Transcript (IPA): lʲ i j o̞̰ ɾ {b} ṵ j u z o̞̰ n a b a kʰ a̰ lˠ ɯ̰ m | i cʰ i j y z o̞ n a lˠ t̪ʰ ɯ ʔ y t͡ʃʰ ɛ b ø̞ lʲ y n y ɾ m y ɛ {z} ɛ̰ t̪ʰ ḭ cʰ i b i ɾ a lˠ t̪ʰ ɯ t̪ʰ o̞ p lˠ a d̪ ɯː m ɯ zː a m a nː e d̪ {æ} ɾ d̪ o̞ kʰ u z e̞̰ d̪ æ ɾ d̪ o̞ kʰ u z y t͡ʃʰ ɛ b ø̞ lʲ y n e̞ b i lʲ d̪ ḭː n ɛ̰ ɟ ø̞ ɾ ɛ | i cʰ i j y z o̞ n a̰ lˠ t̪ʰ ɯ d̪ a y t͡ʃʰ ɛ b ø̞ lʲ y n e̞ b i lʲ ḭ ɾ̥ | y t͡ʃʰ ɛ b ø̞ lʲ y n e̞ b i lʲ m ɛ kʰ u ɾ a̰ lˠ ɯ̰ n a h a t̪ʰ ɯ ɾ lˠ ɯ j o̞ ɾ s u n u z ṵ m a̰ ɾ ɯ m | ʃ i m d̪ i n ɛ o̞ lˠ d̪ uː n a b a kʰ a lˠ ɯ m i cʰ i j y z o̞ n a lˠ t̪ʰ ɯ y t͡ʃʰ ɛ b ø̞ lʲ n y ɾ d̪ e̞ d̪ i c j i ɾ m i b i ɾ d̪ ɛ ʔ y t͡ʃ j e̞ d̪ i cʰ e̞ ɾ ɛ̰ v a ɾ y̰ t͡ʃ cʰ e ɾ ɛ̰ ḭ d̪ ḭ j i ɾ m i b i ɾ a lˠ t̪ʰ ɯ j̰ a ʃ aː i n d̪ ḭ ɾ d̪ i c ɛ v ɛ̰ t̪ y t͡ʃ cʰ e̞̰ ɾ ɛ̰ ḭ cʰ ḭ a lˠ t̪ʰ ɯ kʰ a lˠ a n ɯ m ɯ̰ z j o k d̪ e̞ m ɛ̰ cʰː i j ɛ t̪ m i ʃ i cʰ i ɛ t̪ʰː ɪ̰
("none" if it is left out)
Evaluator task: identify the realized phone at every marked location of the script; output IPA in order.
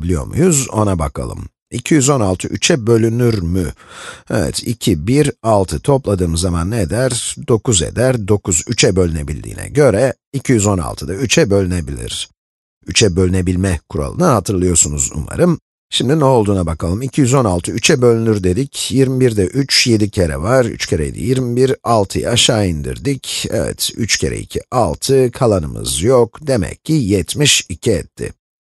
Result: m, v, æ

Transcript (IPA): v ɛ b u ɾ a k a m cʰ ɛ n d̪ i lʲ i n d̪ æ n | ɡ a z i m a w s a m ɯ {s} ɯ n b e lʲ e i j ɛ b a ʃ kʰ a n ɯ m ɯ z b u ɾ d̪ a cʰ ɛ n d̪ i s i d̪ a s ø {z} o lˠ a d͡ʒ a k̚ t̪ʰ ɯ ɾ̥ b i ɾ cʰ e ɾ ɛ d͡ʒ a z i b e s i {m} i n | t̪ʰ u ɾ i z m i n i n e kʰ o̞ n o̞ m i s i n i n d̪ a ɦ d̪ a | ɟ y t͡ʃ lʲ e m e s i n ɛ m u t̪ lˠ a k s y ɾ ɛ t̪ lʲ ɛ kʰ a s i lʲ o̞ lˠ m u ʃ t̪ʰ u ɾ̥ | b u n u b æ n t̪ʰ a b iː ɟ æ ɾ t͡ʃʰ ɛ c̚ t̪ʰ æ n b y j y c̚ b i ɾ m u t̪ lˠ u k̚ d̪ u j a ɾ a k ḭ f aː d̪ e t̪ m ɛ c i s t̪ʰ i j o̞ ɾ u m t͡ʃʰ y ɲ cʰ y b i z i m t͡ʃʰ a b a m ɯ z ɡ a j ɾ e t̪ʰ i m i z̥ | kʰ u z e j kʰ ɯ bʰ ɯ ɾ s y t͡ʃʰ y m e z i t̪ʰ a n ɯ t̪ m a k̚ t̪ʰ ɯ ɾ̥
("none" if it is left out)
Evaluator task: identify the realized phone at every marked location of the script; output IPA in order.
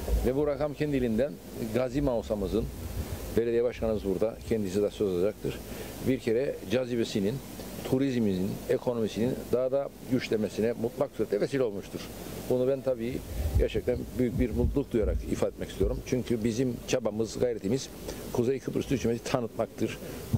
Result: z, z, n

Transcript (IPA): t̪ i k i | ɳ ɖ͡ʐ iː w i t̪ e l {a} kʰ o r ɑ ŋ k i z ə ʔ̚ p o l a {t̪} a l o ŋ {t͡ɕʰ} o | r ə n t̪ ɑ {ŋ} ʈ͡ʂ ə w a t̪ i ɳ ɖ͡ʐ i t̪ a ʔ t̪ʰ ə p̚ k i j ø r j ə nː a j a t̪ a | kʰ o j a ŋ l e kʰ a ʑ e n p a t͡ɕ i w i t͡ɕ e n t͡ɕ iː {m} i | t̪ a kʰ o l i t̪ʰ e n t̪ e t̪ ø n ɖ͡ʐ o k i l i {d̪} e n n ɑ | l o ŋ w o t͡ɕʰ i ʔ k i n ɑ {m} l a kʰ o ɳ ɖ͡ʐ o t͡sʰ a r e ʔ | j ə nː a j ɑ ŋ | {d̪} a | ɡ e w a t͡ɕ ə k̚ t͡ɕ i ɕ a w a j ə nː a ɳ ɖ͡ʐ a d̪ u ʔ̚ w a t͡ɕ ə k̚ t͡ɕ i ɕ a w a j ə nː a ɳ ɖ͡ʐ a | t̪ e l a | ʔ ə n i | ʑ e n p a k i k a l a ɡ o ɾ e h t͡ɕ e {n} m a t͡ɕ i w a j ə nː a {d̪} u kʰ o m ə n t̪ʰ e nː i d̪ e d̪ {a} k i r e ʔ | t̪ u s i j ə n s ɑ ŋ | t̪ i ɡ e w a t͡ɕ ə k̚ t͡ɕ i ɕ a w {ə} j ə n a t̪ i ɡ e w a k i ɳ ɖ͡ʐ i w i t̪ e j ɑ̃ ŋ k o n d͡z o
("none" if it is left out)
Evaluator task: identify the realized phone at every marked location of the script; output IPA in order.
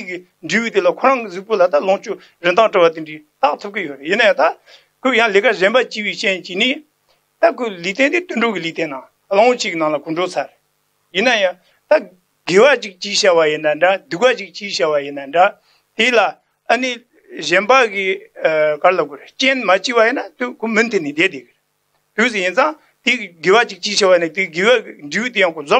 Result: a, t̪, t͡ɕ, ŋ, n, t̪, ŋ, t̪, n, t̪, e, a

